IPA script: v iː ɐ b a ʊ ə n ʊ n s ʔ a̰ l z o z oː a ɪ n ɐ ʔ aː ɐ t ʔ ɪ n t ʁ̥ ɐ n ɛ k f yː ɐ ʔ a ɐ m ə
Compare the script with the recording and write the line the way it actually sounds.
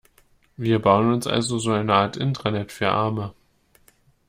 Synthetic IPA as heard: v iː ɐ b a ʊ ə n ʊ n s ʔ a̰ l z o z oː a ɪ n ə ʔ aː ɐ t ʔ ɪ n t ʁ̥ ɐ n ɛ t f yː ɐ ʔ a ɐ m ə

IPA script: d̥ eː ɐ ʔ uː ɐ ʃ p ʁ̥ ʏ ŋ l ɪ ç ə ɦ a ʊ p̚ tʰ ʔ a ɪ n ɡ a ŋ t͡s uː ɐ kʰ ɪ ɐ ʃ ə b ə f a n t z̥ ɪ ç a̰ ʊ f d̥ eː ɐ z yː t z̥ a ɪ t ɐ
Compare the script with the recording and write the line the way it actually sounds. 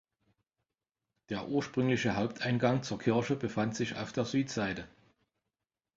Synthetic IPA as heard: d̥ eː ɐ ʔ uː ɐ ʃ p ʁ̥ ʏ ŋ l ɪ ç ə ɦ a ʊ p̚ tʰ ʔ a ɪ n ɡ a ŋ t͡s uː ɐ kʰ ɪ ɐ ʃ ə b ə f a n t z̥ ɪ ç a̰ ʊ f d̥ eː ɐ z yː t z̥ a ɪ t ə

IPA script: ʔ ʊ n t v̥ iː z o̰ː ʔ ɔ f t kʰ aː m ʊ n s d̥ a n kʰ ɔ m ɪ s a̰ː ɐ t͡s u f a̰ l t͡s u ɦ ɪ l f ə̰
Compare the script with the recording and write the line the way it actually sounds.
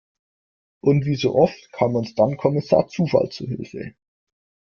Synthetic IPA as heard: ʔ ʊ n t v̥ iː z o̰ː ʔ ɔ f t kʰ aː m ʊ n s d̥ a n kʰ ɔ m ɪ s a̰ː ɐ t͡s uː f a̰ l t͡s u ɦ ɪ l f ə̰

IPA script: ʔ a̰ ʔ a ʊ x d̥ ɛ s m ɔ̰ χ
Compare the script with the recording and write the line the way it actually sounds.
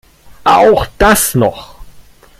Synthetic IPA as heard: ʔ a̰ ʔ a ʊ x d̥ a s n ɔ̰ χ

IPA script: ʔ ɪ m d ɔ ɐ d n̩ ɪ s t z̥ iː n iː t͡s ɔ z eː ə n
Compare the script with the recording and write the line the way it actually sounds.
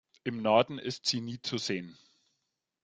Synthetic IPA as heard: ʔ ɪ m n ɔ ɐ d n̩ ɪ s t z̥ iː n iː t͡s u z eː ə n

